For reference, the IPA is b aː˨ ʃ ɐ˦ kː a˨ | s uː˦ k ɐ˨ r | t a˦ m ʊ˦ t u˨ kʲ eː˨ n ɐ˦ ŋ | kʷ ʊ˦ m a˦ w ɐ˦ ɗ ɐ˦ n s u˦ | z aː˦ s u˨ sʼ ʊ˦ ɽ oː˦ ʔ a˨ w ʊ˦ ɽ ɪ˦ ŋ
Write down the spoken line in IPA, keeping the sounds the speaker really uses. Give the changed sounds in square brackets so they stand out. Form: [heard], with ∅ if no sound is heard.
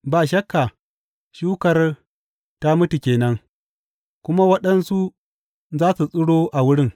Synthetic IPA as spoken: b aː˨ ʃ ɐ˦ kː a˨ | [ʃ] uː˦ k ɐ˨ r | t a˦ m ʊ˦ t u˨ kʲ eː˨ n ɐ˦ ŋ | kʷ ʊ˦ m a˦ w ɐ˦ ɗ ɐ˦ n s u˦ | z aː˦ s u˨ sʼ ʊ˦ ɽ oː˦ ʔ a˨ w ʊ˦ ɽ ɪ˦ ŋ

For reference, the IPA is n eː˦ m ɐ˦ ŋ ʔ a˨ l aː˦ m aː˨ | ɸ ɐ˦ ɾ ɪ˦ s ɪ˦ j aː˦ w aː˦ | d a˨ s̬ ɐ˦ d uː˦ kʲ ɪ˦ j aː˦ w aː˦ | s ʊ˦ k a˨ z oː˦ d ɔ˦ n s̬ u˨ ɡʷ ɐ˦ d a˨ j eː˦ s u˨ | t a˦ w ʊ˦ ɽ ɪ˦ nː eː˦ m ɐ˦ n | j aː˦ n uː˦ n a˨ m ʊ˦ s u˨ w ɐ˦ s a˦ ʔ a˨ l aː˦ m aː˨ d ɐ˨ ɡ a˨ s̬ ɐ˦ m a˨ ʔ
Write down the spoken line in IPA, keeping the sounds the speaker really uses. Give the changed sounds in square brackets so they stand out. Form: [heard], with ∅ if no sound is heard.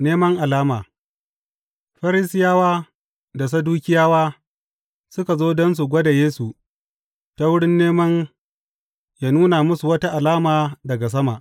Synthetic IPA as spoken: n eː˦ m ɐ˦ ŋ ʔ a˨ l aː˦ m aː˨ | ɸ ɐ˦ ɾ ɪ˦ s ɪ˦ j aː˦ w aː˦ | d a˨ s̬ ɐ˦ d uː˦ kʲ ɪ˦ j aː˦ w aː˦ | s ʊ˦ k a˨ z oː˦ d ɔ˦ n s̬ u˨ ɡʷ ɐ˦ d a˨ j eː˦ s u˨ | t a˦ w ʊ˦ ɽ ɪ˦ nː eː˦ m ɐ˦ n | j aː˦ n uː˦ n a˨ m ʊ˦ s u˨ w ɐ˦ [t] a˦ ʔ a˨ l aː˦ m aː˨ d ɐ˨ ɡ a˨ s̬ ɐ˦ m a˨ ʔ

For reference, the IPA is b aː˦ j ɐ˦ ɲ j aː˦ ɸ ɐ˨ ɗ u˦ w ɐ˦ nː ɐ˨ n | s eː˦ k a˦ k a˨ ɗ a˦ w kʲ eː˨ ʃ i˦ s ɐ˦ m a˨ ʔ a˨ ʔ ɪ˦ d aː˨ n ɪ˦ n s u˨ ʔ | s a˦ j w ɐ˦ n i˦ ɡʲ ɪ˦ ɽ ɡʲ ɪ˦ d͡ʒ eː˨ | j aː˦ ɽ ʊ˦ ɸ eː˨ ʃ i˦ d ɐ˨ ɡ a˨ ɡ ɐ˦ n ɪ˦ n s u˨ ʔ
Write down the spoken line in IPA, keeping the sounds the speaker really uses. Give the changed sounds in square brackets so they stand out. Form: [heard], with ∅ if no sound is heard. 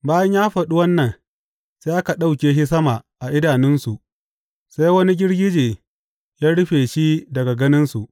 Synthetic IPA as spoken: b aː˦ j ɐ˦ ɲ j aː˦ ɸ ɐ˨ ɗ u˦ w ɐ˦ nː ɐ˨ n | s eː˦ [ʔ] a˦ k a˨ ɗ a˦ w kʲ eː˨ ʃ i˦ s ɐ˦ m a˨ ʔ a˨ ʔ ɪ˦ d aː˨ n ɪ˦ n s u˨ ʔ | s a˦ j w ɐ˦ n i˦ ɡʲ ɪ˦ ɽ ɡʲ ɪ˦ d͡ʒ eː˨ | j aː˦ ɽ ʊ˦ ɸ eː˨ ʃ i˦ d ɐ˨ ɡ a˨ ɡ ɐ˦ n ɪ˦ n s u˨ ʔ

